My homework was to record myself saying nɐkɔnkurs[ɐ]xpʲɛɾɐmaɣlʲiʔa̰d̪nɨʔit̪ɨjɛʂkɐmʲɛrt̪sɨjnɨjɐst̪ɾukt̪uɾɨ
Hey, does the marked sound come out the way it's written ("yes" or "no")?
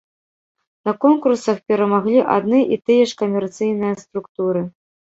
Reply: yes